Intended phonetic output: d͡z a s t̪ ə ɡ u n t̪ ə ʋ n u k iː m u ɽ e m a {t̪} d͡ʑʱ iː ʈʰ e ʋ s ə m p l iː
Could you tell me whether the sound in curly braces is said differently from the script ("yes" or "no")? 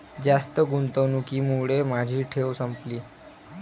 yes